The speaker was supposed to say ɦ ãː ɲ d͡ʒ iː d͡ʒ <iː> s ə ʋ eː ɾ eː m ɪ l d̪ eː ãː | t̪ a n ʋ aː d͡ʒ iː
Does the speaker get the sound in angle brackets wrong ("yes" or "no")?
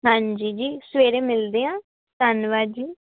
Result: no